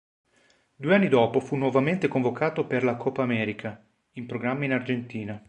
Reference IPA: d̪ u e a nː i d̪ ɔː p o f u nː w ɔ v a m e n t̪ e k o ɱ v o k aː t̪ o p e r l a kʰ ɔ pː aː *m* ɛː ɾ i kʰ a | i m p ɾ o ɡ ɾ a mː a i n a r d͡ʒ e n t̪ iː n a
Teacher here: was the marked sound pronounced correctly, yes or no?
yes